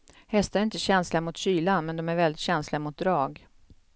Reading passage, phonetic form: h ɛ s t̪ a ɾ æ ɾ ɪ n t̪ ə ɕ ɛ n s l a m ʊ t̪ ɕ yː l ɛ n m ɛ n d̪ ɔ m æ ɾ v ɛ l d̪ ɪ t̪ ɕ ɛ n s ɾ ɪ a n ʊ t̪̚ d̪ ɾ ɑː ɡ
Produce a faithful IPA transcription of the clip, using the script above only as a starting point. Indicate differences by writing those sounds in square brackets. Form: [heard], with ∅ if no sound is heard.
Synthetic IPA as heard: h ɛ s t̪ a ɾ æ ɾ ɪ n t̪ ə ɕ ɛ n s l a m ʊ t̪ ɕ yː l [a] n m ɛ n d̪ ɔ m æ ɾ v ɛ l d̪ ɪ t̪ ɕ ɛ n s [l] ɪ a [m] ʊ t̪̚ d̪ ɾ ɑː ɡ